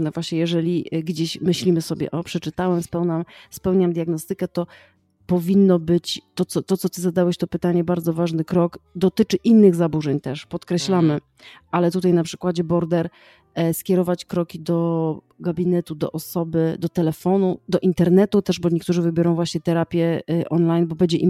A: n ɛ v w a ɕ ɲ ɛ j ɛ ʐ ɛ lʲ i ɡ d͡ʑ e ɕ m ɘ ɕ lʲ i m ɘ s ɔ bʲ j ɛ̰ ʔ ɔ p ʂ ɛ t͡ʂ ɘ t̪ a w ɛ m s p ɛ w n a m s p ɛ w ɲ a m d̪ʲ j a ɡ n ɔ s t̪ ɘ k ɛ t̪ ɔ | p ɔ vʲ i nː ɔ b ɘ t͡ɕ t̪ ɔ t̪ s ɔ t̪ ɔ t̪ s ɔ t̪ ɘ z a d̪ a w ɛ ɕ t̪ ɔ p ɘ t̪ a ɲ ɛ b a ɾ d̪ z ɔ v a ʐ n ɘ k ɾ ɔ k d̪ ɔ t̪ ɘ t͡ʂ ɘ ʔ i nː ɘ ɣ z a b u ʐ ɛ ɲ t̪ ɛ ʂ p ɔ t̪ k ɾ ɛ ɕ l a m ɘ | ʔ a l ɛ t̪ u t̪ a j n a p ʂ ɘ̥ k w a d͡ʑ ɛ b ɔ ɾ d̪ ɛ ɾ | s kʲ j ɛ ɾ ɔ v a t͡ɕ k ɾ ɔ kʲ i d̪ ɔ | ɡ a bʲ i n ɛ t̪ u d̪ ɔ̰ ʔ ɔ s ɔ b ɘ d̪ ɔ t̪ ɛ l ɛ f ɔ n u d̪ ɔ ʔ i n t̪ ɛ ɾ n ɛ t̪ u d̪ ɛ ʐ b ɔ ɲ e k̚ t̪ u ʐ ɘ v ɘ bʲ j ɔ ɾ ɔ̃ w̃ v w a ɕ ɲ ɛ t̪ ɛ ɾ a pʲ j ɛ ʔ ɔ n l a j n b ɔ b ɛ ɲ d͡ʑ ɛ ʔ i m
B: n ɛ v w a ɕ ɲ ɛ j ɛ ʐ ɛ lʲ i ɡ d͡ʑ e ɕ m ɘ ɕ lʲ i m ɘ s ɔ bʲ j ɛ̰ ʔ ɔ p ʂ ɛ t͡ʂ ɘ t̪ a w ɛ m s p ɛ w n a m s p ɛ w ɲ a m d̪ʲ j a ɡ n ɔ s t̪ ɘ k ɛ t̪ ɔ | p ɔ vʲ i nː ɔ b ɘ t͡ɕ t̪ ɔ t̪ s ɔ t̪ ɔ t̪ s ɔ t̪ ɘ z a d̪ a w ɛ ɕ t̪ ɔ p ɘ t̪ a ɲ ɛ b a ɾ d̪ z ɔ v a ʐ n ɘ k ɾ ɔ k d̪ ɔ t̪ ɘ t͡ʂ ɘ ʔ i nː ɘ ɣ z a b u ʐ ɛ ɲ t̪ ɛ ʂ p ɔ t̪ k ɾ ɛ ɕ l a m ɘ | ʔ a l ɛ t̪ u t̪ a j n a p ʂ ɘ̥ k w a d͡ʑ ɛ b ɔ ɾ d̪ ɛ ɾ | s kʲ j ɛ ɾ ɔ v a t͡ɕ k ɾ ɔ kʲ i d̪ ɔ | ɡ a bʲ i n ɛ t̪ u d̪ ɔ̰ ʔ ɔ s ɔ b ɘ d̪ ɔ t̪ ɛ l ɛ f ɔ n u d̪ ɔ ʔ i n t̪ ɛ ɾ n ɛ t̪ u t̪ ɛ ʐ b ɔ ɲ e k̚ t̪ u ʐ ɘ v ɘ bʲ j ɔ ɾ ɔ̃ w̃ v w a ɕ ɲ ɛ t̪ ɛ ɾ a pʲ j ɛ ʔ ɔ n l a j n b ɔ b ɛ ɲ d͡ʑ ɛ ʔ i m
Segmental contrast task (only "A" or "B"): B